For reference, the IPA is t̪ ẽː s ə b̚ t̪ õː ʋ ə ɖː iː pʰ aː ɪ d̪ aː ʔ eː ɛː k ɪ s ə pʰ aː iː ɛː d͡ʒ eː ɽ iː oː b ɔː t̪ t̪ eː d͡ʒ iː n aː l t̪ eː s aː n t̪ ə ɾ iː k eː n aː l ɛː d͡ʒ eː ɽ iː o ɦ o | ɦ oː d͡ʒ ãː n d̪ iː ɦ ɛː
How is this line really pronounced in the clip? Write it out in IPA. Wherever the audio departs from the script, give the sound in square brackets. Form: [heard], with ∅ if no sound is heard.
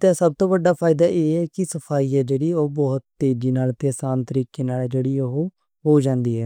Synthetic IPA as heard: t̪ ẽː s ə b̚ t̪ õː ʋ ə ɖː [aː] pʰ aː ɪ d̪ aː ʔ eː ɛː k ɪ s ə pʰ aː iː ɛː d͡ʒ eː ɽ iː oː b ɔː t̪ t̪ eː d͡ʒ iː n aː l t̪ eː s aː n t̪ ə ɾ iː k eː n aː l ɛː d͡ʒ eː ɽ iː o ɦ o | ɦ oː d͡ʒ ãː n d̪ iː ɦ ɛː